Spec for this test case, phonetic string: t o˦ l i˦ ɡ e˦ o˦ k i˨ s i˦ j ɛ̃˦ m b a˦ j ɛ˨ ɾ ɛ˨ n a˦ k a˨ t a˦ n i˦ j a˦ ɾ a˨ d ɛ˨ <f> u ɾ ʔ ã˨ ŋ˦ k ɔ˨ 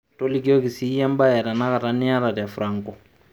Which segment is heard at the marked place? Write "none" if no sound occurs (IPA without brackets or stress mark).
f